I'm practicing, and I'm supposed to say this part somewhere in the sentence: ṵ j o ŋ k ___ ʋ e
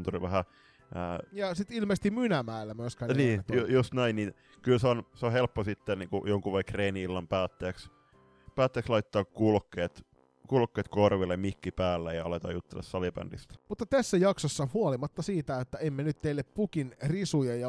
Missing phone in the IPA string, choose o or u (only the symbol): u